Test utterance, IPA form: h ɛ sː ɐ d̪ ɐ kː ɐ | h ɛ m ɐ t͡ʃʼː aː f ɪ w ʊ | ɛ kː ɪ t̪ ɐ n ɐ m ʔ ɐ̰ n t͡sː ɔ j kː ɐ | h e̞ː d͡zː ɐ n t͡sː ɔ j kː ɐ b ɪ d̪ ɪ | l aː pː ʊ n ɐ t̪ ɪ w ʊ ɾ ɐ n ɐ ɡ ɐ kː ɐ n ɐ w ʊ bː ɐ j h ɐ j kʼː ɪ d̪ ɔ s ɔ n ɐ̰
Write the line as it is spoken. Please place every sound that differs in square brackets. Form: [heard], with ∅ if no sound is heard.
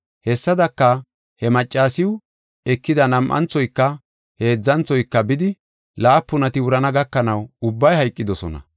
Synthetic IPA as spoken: h ɛ sː ɐ d̪ ɐ kː ɐ | h ɛ m ɐ t͡ʃʼː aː [s] ɪ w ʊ | ɛ kː ɪ [d̪] ɐ n ɐ m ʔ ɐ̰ n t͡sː ɔ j kː ɐ | h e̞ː d͡zː ɐ n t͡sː ɔ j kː ɐ b ɪ d̪ ɪ | l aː pː ʊ n ɐ t̪ ɪ w ʊ ɾ ɐ n ɐ ɡ ɐ kː ɐ n ɐ w ʊ bː ɐ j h ɐ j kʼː ɪ d̪ ɔ s ɔ n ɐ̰